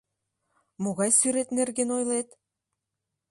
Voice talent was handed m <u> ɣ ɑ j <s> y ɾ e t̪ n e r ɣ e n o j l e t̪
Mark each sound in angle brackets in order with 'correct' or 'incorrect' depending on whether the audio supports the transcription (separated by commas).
incorrect, correct